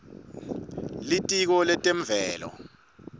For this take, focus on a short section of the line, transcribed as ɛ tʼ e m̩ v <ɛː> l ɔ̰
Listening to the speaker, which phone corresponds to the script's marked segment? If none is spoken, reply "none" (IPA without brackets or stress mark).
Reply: ɛː